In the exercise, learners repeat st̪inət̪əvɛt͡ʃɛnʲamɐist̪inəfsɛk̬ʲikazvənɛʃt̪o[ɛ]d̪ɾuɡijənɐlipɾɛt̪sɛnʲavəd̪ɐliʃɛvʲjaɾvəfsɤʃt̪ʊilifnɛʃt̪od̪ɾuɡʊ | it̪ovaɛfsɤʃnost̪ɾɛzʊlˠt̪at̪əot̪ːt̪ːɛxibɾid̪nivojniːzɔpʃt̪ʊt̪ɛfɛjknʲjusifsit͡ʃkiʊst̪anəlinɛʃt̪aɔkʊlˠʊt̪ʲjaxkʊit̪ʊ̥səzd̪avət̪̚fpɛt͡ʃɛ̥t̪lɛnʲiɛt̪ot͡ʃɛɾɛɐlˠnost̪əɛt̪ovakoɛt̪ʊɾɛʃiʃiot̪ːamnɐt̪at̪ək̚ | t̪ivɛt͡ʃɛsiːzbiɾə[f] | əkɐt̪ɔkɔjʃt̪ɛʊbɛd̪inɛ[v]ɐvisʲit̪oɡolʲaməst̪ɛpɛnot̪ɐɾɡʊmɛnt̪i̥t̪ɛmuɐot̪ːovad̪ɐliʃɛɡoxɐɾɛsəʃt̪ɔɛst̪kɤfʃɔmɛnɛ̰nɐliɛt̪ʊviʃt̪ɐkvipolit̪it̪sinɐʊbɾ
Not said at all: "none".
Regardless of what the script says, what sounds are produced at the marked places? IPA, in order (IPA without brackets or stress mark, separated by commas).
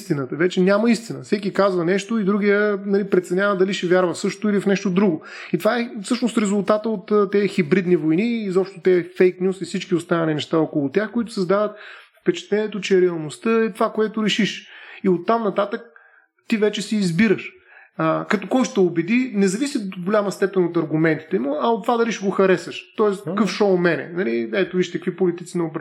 i, ʃ, z